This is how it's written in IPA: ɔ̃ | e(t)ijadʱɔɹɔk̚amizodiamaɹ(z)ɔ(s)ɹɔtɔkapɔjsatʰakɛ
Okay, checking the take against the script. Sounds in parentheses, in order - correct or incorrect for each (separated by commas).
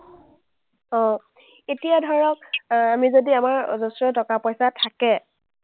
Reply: correct, correct, correct